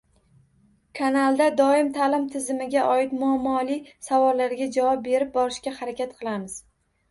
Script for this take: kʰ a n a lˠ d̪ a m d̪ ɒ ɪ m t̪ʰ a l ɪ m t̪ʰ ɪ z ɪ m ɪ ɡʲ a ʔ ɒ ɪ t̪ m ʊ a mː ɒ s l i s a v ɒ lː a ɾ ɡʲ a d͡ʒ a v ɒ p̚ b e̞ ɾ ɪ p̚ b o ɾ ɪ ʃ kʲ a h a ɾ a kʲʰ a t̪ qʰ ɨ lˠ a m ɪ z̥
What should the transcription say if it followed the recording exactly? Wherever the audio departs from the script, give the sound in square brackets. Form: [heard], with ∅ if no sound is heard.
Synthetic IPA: kʰ a n a lˠ d̪ a [∅] d̪ ɒ ɪ m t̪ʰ a l ɪ m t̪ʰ ɪ z ɪ m ɪ ɡʲ a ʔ ɒ ɪ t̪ m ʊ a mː ɒ [∅] l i s a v ɒ lː a ɾ ɡʲ a d͡ʒ a v ɒ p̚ b e̞ ɾ ɪ p̚ b [ɒ] ɾ ɪ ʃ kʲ a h a ɾ a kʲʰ a t̪ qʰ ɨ lˠ a m ɪ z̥